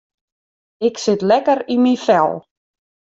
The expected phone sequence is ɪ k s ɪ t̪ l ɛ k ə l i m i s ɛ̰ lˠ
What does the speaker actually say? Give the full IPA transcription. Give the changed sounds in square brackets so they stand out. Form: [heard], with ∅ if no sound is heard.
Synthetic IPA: ɪ k s ɪ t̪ l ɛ k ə [ɾ] i m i [f] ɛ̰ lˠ